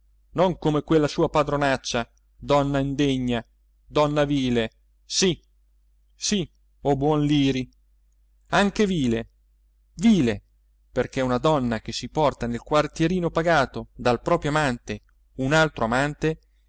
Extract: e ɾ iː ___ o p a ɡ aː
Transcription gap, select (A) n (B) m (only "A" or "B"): A